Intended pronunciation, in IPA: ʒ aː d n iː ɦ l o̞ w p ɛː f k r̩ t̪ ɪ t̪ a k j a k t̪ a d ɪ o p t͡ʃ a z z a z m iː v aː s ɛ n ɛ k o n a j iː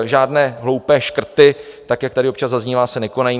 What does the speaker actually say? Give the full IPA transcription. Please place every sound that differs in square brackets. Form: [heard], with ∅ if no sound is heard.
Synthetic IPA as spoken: ʒ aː d n [ɛː] ɦ l o̞ w p ɛː [ʃ] k r̩ t̪ ɪ t̪ a k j a k t̪ a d ɪ o p t͡ʃ a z z a z [ɲ] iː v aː s ɛ n ɛ k o n a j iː